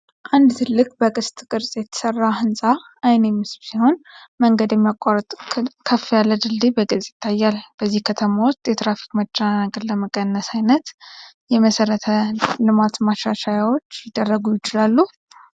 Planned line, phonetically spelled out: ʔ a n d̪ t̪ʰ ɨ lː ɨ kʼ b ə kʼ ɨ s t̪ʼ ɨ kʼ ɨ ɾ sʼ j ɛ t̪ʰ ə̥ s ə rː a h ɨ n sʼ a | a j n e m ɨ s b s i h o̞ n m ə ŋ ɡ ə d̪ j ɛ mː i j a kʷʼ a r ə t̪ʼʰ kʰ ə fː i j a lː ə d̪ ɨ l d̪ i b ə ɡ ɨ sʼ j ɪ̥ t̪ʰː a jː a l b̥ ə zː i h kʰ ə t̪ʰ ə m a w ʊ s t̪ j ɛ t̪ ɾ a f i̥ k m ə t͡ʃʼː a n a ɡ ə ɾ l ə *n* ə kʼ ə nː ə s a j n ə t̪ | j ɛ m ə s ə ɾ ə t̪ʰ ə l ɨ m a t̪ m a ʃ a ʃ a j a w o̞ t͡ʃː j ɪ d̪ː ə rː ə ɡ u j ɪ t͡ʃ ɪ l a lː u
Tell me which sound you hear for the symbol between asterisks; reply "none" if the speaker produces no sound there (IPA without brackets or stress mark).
m